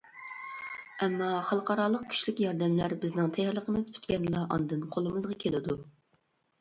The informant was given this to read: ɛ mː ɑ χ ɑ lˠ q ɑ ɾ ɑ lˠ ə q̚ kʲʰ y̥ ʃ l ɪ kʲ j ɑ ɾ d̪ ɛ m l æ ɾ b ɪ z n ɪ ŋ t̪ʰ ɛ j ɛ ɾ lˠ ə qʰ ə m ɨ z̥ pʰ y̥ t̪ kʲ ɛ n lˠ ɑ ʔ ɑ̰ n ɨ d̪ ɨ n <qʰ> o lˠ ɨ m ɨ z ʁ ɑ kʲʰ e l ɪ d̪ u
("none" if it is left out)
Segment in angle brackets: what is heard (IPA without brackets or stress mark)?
qʰ